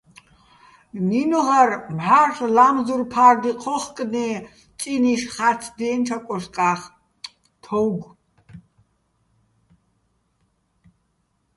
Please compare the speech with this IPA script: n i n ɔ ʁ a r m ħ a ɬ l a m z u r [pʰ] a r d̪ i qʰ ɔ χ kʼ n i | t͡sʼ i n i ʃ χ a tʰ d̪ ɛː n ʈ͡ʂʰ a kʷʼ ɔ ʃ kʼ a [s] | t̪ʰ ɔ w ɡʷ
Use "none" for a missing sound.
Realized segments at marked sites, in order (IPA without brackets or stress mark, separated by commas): pʰ, χ